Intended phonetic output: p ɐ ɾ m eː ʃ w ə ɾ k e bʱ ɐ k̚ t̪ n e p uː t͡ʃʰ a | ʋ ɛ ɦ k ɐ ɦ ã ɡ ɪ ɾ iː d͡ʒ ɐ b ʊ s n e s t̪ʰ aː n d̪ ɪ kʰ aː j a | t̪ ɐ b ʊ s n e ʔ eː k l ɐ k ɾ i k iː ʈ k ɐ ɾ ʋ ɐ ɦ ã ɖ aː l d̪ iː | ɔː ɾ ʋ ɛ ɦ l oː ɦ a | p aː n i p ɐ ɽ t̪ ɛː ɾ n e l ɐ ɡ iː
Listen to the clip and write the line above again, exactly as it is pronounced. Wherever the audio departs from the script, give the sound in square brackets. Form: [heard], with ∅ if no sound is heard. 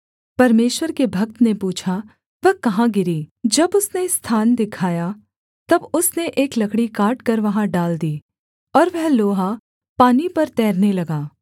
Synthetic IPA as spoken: p ɐ ɾ m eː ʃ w ə ɾ k e bʱ ɐ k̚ t̪ n e p uː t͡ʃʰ a | ʋ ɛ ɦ k ɐ ɦ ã ɡ ɪ ɾ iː d͡ʒ ɐ b ʊ s n e s t̪ʰ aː n d̪ ɪ kʰ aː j a | t̪ ɐ b ʊ s n e ʔ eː k l ɐ k [ɽ] i k [aː] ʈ k ɐ ɾ ʋ ɐ ɦ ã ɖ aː l d̪ iː | ɔː ɾ ʋ ɛ ɦ l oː ɦ a | p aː n i p ɐ [ɾ] t̪ ɛː ɾ n e l ɐ ɡ [aː]